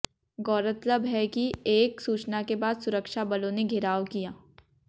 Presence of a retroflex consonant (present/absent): absent